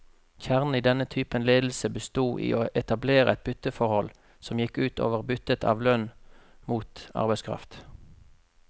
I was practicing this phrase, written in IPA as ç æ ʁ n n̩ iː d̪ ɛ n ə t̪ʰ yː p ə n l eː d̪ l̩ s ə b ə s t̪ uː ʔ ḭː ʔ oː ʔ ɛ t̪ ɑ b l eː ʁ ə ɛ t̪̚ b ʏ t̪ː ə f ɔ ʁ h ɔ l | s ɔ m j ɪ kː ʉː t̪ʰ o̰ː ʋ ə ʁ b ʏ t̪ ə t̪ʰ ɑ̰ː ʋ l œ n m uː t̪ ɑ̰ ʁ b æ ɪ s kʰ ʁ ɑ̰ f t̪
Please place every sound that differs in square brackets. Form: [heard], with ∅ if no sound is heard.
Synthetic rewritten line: ç æ ʁ n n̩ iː d̪ ɛ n ə t̪ʰ yː p ə n l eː d̪ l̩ s ə b ə s t̪ uː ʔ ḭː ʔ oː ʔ ɛ t̪ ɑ b l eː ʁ ə ɛ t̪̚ b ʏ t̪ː ə f ɔ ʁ h ɔ l | s ɔ m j ɪ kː ʉː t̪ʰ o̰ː ʋ ə ʁ b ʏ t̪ ə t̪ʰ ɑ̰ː ʋ l œ n m uː t̪ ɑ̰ ʁ b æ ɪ s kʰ ʁ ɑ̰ f t̪